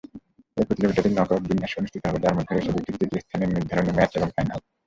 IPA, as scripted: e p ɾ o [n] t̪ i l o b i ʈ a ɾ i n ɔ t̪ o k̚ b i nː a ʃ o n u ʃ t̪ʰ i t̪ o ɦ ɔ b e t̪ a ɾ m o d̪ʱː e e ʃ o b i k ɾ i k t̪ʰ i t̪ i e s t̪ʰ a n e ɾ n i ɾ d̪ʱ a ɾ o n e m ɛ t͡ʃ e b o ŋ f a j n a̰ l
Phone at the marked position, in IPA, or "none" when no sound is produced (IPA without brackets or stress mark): none